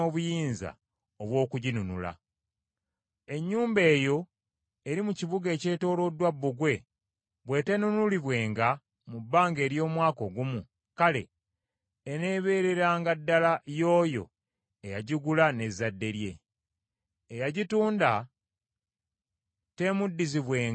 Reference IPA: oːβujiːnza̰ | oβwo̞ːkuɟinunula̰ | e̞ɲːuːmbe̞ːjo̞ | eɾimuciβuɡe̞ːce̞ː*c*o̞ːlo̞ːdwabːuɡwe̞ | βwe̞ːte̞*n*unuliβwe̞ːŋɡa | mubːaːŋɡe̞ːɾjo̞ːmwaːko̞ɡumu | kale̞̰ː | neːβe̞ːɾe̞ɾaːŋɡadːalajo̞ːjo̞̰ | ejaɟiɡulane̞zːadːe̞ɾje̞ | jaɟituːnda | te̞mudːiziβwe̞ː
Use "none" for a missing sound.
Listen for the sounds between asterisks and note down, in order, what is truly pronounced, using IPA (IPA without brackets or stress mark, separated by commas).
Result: t, n